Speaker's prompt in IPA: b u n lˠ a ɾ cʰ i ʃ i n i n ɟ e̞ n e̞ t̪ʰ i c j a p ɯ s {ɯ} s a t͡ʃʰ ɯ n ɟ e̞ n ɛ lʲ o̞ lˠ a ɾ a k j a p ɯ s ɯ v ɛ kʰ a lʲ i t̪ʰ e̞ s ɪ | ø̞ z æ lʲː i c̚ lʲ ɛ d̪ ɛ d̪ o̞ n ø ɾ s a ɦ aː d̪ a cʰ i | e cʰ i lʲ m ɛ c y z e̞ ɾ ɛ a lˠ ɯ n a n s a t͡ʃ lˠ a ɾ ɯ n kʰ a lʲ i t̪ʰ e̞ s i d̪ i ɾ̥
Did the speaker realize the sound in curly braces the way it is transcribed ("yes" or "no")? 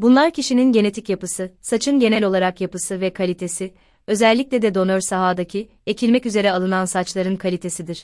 yes